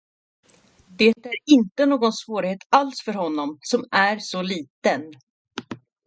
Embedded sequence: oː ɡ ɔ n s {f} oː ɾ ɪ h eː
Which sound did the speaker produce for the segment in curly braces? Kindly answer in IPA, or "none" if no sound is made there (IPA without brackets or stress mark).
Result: v